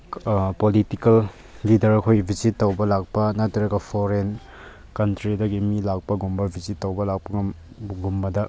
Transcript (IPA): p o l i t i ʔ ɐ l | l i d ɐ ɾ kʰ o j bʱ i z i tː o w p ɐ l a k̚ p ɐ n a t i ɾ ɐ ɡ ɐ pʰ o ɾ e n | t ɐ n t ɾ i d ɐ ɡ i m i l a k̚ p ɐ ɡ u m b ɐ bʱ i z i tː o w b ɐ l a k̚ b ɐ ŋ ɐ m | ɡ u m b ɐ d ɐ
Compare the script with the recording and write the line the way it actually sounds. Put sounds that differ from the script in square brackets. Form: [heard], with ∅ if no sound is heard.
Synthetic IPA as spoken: p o l i t i [k] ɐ l | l i d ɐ ɾ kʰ o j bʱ i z i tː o w [b] ɐ l a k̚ p ɐ n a t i ɾ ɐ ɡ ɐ pʰ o ɾ e n | [k] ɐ n t ɾ i d ɐ ɡ i m i l a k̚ p ɐ ɡ u m b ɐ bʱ i z i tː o w b ɐ l a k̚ [p] ɐ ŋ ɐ m | ɡ u m b ɐ d ɐ